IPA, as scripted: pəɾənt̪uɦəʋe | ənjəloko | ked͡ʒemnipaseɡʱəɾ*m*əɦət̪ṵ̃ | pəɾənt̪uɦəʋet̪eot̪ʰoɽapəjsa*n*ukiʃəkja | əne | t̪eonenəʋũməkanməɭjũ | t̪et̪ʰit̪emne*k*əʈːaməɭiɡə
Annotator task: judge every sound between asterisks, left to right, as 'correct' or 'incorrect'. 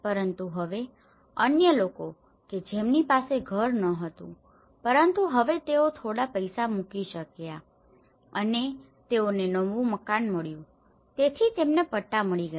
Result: incorrect, incorrect, incorrect

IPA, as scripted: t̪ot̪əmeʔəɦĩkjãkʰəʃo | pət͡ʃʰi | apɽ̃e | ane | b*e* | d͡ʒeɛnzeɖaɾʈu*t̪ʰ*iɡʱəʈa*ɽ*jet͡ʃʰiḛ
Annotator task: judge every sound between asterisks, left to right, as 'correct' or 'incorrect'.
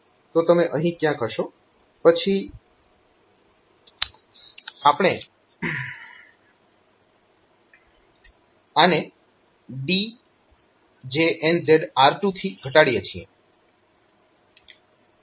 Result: incorrect, correct, correct

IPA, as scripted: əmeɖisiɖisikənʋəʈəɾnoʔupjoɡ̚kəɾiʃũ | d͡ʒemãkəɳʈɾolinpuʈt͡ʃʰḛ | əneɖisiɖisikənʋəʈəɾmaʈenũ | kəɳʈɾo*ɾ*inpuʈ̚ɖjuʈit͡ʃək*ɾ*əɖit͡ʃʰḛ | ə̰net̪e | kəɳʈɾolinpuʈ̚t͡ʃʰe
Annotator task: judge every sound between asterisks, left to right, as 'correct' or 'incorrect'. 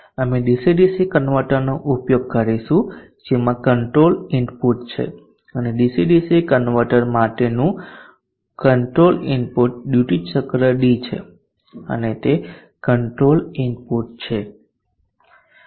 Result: incorrect, correct

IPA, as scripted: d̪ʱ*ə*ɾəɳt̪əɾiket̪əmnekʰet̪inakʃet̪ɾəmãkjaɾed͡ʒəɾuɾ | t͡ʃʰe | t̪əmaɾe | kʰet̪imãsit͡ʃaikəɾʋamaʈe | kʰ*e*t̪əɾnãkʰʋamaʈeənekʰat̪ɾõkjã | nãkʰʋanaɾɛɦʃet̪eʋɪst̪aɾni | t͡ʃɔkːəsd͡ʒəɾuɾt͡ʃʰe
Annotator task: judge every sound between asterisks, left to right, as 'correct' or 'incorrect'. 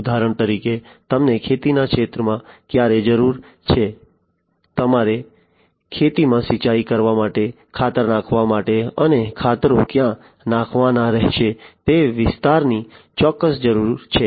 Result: incorrect, incorrect

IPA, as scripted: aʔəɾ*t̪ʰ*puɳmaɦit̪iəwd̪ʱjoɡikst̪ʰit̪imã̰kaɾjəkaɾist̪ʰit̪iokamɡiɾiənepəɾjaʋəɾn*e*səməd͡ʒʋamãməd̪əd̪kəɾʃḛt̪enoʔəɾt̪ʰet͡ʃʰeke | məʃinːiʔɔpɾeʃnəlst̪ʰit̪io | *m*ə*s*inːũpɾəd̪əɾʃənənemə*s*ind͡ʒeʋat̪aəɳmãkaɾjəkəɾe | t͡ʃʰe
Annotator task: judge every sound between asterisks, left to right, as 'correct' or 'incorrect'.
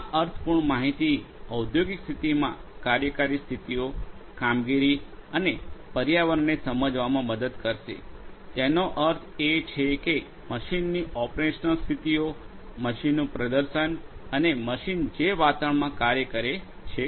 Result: correct, correct, correct, incorrect, incorrect

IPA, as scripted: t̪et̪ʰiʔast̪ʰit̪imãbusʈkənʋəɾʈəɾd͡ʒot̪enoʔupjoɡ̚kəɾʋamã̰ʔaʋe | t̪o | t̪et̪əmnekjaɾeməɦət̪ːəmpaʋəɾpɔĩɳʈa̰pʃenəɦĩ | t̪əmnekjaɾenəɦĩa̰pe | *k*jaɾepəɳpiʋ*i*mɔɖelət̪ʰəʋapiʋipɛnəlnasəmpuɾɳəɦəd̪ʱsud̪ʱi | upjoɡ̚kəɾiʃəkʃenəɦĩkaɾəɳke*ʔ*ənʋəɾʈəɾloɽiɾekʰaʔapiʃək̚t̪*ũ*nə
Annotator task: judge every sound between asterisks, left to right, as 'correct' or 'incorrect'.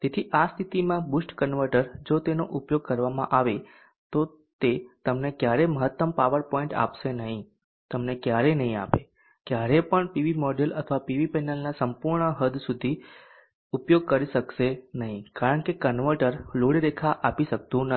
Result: correct, correct, incorrect, correct

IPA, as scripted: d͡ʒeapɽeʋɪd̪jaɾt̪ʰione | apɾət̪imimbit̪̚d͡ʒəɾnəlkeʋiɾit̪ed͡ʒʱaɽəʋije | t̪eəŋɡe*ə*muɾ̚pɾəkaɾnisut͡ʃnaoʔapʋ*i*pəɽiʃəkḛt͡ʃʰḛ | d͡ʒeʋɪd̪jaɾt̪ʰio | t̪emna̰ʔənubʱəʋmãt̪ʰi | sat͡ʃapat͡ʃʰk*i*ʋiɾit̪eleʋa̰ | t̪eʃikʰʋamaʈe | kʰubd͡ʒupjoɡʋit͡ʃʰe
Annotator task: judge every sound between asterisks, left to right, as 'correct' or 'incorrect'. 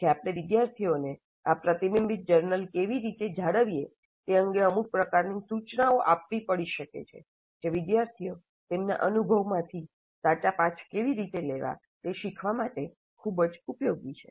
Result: correct, correct, incorrect

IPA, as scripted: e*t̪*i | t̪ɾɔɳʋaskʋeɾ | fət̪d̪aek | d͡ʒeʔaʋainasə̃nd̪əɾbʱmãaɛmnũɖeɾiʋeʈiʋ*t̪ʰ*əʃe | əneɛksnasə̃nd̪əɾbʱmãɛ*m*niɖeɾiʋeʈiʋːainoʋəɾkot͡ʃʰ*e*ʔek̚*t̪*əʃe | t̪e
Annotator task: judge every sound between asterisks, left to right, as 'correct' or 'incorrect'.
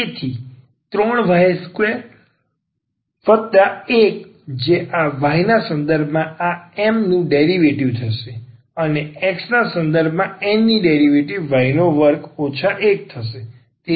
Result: incorrect, correct, correct, incorrect, incorrect

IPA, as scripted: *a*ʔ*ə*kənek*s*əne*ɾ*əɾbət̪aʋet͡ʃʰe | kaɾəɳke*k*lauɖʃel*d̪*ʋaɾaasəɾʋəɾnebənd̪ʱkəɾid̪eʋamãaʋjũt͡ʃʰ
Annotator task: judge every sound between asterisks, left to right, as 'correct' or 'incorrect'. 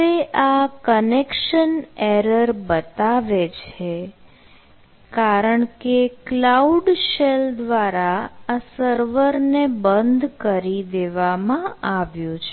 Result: incorrect, incorrect, incorrect, correct, correct, correct

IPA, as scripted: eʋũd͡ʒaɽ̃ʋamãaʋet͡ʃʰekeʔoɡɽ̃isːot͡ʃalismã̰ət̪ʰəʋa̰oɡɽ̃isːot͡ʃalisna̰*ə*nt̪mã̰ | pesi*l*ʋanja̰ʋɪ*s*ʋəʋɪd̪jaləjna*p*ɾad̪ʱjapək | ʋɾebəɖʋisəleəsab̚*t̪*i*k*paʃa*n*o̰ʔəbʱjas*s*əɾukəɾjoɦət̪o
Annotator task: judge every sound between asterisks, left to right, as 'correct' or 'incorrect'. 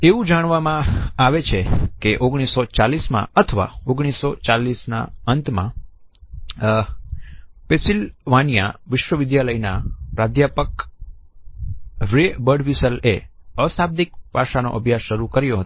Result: correct, correct, incorrect, correct, incorrect, correct, correct, incorrect

